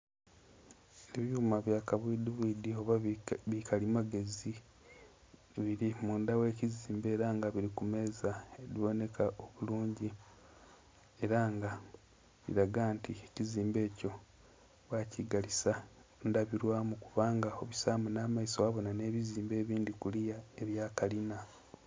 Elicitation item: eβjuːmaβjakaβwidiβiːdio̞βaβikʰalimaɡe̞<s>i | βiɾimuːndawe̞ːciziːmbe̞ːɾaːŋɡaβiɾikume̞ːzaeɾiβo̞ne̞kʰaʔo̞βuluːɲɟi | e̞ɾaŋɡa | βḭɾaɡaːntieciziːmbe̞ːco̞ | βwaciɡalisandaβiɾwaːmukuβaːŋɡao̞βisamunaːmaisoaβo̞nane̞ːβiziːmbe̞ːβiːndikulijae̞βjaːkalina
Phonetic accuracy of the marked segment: incorrect: z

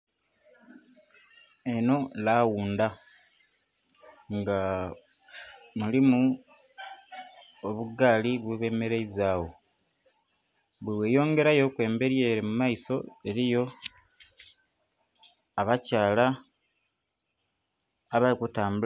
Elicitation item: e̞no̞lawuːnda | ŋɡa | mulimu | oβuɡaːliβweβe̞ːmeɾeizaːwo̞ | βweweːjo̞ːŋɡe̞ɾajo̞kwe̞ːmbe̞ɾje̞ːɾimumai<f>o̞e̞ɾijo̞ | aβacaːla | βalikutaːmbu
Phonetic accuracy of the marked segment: incorrect: s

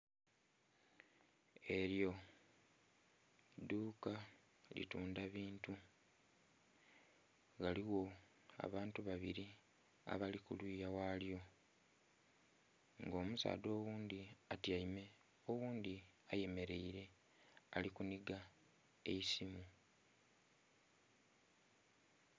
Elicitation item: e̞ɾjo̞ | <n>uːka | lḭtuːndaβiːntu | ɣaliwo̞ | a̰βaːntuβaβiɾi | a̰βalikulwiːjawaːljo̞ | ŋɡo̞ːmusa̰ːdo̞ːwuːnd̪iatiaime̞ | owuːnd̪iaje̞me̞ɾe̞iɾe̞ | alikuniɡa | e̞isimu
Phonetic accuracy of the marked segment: incorrect: d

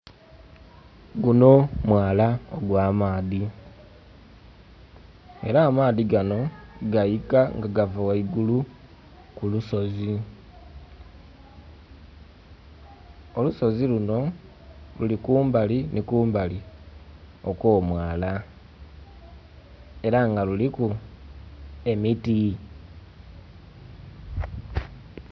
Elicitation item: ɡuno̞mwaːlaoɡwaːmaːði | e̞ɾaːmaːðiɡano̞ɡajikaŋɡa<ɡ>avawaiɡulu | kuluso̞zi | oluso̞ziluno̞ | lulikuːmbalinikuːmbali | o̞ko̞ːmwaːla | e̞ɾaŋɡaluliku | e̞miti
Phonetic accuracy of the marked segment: correct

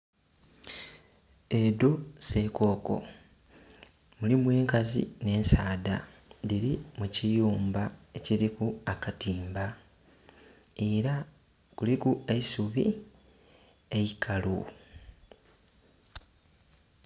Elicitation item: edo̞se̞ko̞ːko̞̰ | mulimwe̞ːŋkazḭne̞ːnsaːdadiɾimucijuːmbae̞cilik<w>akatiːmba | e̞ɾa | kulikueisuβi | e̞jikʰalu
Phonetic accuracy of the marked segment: incorrect: u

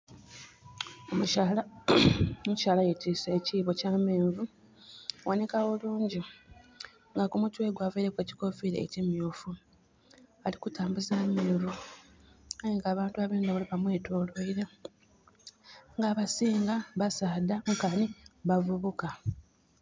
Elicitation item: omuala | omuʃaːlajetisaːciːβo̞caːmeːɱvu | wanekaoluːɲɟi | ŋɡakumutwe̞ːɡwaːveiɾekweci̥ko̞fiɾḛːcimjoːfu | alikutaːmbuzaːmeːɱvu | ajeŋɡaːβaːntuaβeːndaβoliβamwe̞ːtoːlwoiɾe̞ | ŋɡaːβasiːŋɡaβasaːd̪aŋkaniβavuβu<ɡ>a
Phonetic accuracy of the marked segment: incorrect: k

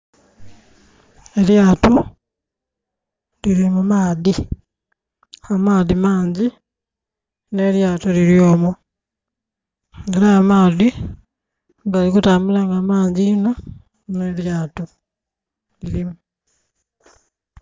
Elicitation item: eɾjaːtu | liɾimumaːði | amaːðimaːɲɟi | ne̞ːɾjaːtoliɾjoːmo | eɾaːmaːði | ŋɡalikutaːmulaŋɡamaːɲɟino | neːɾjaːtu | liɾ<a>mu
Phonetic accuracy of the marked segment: incorrect: i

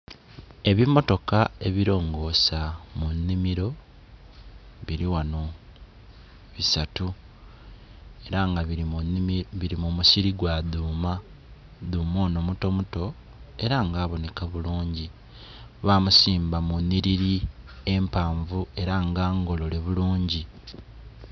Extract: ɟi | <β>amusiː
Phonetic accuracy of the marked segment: correct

